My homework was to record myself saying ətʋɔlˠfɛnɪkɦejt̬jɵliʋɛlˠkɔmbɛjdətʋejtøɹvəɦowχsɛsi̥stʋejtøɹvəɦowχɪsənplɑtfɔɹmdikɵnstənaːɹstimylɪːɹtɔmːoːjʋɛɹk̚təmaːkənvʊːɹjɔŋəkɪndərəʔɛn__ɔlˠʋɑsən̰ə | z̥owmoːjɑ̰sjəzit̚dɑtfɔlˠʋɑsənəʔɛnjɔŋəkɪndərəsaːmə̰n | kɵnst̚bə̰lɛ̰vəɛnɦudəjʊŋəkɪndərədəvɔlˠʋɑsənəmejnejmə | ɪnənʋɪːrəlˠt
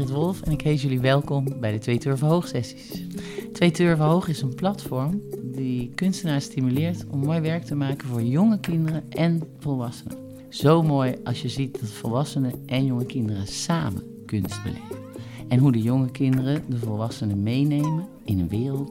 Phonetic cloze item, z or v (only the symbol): v